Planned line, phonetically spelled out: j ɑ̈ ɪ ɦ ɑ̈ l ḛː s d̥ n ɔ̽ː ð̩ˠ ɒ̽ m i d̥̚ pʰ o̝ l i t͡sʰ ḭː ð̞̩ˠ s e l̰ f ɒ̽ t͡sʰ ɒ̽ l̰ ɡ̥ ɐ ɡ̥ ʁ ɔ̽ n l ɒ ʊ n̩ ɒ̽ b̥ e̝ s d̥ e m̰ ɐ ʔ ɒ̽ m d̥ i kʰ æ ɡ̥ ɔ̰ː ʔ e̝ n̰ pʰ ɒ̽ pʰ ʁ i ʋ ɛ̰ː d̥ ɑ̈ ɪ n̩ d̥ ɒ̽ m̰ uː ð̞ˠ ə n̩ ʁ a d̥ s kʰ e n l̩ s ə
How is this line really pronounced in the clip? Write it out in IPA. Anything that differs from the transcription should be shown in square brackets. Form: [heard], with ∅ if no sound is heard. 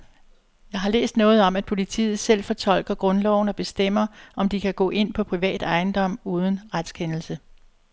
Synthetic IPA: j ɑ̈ ɪ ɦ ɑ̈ l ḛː s d̥ n ɔ̽ː ð̩ˠ ɒ̽ m [æ] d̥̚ pʰ o̝ l i t͡sʰ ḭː ð̞̩ˠ s e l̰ f ɒ̽ t͡sʰ ɒ̽ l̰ ɡ̥ ɐ ɡ̥ ʁ ɔ̽ n l ɒ ʊ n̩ ɒ̽ b̥ e̝ s d̥ e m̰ ɐ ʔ ɒ̽ m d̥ i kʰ æ ɡ̥ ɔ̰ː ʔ e̝ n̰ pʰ ɒ̽ pʰ ʁ i ʋ ɛ̰ː d̥ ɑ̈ ɪ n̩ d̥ ɒ̽ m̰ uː ð̞ˠ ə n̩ ʁ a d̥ s kʰ e n l̩ s ə

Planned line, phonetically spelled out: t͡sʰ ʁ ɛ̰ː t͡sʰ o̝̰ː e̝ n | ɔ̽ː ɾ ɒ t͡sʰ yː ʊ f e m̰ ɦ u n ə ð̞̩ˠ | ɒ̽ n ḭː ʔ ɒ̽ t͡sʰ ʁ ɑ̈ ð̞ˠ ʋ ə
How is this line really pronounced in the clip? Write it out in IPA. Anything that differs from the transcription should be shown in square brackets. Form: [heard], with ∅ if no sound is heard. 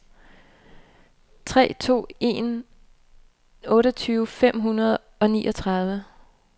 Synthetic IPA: t͡sʰ ʁ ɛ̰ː t͡sʰ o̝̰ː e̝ n | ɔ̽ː ɾ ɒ t͡sʰ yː ʊ f e m̰ ɦ u n [ɐ] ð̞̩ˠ | ɒ̽ n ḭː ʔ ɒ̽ t͡sʰ ʁ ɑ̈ ð̞ˠ ʋ ə

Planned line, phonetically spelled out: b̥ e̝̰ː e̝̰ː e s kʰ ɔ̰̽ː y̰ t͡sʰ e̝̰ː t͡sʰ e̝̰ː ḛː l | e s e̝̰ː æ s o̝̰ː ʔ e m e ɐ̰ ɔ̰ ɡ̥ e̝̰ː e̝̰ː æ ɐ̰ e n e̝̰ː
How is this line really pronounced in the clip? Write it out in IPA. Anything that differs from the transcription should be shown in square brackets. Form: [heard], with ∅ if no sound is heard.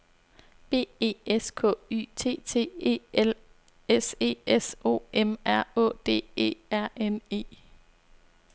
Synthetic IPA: b̥ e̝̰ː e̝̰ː e s kʰ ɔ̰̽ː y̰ t͡sʰ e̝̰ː t͡sʰ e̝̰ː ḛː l | e s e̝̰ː [e] s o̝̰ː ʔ e m [æ] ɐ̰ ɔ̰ [d̥] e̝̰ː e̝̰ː æ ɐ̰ e n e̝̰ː

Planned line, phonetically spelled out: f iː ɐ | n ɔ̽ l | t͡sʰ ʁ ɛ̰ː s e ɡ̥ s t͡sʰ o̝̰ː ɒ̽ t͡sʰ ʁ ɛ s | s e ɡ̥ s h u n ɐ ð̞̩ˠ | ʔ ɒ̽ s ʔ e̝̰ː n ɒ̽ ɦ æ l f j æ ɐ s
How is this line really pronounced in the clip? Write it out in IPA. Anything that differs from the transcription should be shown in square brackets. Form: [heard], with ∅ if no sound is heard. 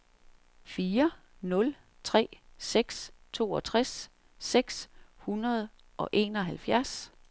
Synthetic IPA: f iː ɐ | n ɔ̽ l | t͡sʰ ʁ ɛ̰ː s e ɡ̥ s t͡sʰ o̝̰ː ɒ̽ t͡sʰ ʁ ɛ s | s e ɡ̥ s h u n ɐ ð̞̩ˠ | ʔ ɒ̽ [∅] ʔ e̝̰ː n ɒ̽ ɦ æ l f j æ ɐ s

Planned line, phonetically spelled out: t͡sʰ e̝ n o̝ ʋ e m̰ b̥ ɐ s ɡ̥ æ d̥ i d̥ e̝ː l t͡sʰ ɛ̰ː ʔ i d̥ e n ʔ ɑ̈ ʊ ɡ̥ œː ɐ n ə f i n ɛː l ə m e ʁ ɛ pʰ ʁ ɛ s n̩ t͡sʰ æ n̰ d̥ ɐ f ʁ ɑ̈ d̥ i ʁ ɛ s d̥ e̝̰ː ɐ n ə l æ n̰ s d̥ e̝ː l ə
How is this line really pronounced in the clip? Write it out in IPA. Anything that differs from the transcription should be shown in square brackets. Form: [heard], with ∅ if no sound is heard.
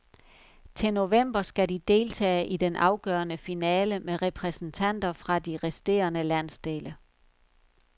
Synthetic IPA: t͡sʰ e̝ n o̝ ʋ e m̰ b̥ ɐ s ɡ̥ æ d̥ i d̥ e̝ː l t͡sʰ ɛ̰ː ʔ i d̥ e n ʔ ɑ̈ ʊ ɡ̥ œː ɐ n ə f i n ɛː l ə m e ʁ ɛ pʰ ʁ ɛ s n̩ t͡sʰ æ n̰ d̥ ɐ f ʁ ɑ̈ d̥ i ʁ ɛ s d̥ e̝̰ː ɐ n ə l æ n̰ s d̥ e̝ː l ə

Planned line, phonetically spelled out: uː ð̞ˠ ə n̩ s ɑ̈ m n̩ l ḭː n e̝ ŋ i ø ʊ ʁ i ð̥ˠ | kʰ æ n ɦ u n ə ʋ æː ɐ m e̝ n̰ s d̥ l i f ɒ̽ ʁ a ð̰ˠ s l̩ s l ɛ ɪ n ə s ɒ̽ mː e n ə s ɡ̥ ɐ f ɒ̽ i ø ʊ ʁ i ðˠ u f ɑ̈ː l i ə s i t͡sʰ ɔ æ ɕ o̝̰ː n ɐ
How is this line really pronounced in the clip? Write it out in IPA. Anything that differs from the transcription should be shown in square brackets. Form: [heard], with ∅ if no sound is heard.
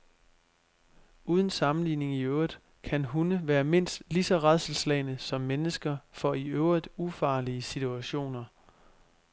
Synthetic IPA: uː ð̞ˠ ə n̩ s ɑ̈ m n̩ l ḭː n e̝ ŋ i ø ʊ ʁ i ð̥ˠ | kʰ æ n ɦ u n ə ʋ æː ɐ m e̝ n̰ s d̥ l i [s] ɒ̽ ʁ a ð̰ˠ s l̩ s l ɛ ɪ n ə s ɒ̽ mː e n ə s ɡ̥ ɐ f ɒ̽ i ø ʊ ʁ i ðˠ u f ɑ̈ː l i ə s i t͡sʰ [u] æ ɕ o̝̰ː n ɐ

